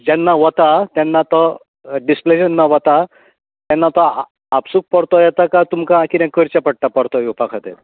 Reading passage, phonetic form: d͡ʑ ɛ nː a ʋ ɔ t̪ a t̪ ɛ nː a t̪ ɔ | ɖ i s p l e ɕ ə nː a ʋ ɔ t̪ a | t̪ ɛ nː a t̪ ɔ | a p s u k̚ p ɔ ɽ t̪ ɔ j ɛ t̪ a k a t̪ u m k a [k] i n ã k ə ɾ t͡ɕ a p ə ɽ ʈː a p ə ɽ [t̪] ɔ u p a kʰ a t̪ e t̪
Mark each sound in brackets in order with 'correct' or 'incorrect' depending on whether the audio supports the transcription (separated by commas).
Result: correct, correct